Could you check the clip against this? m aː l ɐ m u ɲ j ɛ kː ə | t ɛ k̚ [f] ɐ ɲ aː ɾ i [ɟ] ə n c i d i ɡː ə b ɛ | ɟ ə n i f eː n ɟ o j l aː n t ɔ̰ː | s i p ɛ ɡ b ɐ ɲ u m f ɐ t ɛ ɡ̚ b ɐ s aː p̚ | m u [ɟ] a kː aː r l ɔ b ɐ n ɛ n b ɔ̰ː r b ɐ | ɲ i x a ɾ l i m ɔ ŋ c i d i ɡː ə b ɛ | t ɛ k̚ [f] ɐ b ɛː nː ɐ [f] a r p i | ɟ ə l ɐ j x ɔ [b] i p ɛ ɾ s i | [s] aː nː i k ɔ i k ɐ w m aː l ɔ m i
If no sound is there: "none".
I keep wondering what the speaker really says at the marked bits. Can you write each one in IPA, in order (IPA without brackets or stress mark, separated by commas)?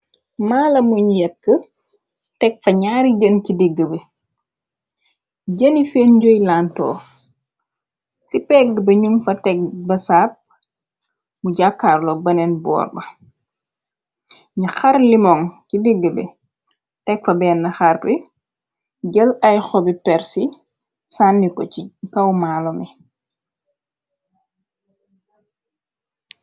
f, ɟ, ɟ, f, x, b, s